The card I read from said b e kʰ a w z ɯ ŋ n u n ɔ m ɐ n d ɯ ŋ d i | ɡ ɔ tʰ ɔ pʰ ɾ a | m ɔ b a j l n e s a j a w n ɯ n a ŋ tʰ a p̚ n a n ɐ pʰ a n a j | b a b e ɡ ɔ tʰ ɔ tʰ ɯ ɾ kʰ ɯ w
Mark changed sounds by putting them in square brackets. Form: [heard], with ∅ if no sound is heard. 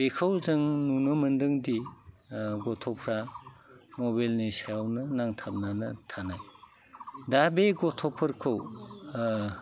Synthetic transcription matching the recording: b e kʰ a w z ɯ ŋ n u n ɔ m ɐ n d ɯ ŋ d i | ɡ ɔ tʰ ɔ pʰ ɾ a | m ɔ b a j l n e s a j a w n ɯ n a ŋ tʰ a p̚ n a n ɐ [tʰ] a n a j | [d] a b e ɡ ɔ tʰ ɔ [pʰ] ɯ ɾ kʰ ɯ w